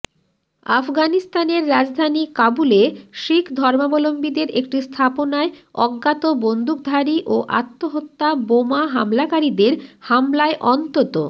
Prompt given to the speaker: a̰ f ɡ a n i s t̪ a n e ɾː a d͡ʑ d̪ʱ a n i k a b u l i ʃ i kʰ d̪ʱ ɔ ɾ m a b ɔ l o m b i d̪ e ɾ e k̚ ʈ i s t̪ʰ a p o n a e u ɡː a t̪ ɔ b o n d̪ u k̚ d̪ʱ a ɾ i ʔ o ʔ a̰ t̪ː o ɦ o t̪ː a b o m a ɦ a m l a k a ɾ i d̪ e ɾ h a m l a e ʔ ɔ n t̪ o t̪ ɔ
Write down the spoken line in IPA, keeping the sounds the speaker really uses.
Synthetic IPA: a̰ f ɡ a n i s t̪ a n e ɾː a d͡ʑ d̪ʱ a n i k a b u l e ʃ i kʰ d̪ʱ ɔ ɾ m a b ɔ l o m b i d̪ e ɾ e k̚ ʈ i s t̪ʰ a p o n a e ɔ ɡː a t̪ o b o n d̪ u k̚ d̪ʱ a ɾ i ʔ o ʔ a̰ t̪ː o ɦ o t̪ː a b o m a ɦ a m l a k a ɾ i d̪ e ɾ h a m l a e ʔ ɔ n t̪ o t̪ o